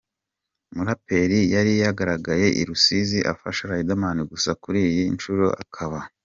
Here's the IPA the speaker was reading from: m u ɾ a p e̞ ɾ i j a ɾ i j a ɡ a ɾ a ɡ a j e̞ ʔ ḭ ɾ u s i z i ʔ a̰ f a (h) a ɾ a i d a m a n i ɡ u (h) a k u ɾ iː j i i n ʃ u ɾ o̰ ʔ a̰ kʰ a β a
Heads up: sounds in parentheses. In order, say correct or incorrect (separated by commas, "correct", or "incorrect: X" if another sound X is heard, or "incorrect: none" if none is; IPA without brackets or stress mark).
incorrect: ʃ, incorrect: s